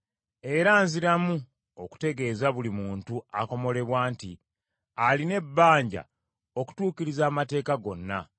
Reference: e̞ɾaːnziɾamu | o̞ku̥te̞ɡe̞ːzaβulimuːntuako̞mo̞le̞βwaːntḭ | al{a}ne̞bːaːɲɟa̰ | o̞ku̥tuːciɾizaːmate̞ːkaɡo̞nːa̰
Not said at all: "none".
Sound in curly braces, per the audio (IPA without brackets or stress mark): i